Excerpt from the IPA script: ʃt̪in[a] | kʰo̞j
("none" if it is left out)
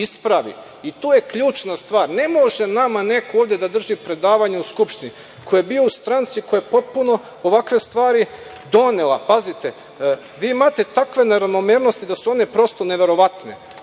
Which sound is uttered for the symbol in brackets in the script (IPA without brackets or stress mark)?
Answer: i